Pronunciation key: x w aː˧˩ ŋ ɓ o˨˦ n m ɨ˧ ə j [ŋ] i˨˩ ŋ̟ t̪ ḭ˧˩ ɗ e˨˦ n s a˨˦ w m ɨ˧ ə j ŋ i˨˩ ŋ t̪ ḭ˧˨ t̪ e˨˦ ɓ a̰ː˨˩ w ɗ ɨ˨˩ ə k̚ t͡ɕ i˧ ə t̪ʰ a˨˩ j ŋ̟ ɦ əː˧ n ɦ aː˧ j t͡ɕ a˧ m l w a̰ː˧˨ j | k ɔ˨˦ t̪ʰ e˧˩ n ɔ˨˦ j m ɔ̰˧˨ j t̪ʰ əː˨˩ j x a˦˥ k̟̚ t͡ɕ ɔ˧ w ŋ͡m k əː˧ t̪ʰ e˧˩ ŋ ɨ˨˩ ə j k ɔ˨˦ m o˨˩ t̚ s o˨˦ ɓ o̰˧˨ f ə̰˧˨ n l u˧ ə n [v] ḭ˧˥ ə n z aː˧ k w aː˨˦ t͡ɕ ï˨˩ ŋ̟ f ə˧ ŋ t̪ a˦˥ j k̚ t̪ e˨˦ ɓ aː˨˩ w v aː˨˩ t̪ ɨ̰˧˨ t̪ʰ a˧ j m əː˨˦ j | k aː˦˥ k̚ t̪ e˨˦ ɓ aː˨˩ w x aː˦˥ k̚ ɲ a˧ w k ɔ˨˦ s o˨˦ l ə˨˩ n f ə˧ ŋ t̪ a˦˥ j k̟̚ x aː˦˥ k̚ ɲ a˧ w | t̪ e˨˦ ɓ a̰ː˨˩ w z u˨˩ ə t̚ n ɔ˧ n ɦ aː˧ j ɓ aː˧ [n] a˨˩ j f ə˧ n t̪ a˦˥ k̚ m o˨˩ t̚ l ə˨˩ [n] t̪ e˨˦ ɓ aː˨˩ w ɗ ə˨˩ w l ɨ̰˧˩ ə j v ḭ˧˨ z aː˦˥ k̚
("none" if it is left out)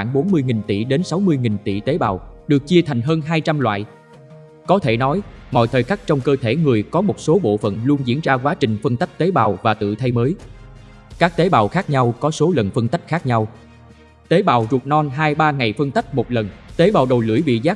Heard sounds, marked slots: ŋ, z, ŋ, n

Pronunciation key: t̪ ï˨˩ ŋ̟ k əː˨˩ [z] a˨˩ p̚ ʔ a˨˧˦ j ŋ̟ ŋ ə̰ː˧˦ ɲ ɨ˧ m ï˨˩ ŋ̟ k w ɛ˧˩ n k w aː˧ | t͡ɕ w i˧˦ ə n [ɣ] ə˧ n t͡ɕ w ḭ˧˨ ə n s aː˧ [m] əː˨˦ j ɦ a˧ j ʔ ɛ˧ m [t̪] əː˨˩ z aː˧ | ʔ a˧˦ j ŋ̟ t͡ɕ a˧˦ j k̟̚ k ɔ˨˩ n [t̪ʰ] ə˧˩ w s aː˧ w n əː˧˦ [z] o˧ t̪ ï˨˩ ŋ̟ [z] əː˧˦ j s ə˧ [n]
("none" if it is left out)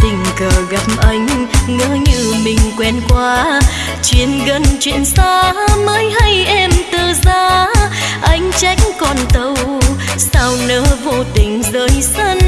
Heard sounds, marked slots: ɣ, ɣ, m, t̪, t̪, v, z, n

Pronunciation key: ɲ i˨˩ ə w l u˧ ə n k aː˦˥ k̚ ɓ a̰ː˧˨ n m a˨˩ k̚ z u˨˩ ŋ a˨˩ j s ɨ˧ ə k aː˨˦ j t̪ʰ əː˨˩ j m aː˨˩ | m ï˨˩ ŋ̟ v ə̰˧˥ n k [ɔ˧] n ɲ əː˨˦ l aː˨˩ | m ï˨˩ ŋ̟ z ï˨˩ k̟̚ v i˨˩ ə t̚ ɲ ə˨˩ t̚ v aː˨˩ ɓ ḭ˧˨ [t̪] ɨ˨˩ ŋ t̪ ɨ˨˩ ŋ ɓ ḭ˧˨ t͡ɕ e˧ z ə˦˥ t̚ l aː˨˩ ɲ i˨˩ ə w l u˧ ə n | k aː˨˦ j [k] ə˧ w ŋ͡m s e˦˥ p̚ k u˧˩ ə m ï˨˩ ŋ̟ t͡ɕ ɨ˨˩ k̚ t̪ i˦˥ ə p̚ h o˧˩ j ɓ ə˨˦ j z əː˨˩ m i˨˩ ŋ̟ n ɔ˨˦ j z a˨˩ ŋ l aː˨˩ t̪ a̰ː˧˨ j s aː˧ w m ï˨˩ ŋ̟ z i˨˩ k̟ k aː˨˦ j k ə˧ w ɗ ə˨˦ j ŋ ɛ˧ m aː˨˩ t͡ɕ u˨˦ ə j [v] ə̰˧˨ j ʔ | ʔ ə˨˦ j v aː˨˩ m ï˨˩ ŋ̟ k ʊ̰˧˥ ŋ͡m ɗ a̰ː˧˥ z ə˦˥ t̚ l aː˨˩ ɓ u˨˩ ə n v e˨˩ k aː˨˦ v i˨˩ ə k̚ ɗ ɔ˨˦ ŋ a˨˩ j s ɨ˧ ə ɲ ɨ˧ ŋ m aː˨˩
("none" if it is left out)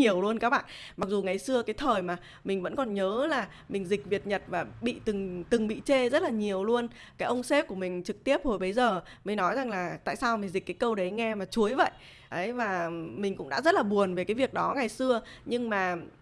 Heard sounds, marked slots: ɔ˨˩, t̪, ʔ, v

